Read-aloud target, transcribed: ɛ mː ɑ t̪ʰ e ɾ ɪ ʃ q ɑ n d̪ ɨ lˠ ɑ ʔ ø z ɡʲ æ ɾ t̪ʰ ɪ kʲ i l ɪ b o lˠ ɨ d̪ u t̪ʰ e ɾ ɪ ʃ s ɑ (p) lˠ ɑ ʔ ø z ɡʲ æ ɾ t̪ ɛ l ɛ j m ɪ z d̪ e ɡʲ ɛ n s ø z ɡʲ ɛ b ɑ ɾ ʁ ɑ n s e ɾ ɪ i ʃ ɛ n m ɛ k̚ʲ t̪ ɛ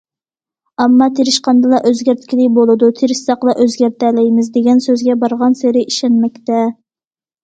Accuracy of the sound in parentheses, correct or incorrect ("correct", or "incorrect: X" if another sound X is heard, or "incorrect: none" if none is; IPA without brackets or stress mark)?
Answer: incorrect: q